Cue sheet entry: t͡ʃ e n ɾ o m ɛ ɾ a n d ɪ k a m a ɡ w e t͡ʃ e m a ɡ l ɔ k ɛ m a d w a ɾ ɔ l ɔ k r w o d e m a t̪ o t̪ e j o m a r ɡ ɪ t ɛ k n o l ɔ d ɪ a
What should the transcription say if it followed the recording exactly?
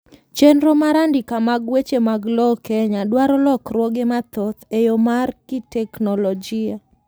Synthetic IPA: t͡ʃ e n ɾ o m a ɾ a n d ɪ k a m a ɡ w e t͡ʃ e m a ɡ l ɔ k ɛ ɲ a d w a ɾ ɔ l ɔ k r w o ɡ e m a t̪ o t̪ e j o m a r k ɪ t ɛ k n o l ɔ d͡ʒ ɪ a